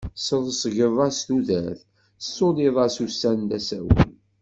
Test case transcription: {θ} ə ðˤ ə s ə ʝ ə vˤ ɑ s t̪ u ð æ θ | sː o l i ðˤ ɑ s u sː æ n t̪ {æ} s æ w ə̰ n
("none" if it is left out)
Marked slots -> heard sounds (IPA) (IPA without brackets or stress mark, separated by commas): s, æ